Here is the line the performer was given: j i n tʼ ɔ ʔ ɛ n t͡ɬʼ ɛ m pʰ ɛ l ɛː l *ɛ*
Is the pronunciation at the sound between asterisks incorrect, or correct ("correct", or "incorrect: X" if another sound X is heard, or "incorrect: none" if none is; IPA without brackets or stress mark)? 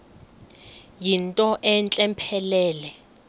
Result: correct